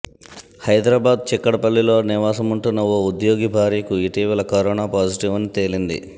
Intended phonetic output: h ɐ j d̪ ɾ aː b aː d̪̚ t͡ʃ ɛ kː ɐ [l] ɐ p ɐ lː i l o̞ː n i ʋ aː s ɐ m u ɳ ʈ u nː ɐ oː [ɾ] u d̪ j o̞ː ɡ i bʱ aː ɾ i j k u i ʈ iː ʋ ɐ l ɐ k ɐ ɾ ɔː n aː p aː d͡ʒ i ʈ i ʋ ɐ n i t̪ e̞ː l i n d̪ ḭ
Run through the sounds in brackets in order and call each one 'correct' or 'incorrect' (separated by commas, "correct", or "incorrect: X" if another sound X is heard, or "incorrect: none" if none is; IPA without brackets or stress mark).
incorrect: ɽ, incorrect: none